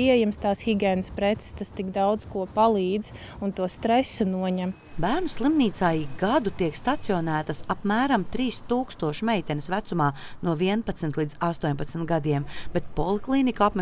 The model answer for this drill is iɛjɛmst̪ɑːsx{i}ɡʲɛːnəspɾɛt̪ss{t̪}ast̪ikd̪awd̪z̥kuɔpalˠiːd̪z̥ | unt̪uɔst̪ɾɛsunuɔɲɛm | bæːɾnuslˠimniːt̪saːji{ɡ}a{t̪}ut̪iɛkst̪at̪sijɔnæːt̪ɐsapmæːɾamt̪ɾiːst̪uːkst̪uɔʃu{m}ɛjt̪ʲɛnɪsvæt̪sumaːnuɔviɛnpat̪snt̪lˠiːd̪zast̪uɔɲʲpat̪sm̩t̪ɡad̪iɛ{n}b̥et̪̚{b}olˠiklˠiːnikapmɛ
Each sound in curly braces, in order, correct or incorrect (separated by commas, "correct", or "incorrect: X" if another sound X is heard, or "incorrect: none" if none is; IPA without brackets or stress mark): correct, correct, correct, incorrect: d̪, correct, incorrect: m, incorrect: p